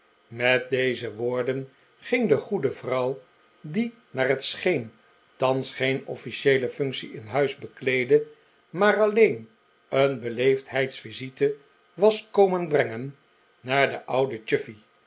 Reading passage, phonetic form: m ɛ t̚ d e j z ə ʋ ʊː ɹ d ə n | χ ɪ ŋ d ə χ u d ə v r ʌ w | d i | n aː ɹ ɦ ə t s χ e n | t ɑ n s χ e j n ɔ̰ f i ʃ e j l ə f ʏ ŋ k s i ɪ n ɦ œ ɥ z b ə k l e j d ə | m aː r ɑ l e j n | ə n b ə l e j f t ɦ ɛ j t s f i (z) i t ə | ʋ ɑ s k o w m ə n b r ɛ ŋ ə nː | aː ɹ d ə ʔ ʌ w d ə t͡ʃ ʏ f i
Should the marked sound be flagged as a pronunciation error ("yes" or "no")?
no